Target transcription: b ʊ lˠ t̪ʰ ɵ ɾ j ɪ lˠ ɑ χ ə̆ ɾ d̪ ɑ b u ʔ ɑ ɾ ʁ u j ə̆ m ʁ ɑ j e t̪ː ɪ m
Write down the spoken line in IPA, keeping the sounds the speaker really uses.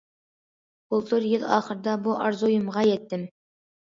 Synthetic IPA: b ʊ lˠ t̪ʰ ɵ ɾ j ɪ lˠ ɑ χ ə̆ ɾ d̪ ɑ b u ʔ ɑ ɾ z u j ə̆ m ʁ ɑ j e t̪ː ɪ m